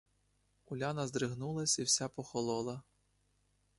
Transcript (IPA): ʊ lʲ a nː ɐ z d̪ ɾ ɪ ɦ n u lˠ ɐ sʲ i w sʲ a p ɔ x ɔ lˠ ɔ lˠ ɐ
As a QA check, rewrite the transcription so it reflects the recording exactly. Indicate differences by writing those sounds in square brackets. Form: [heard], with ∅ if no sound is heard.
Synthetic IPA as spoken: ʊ lʲ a [n] ɐ z d̪ ɾ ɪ ɦ n u lˠ ɐ sʲ i w sʲ a p ɔ x ɔ lˠ ɔ lˠ ɐ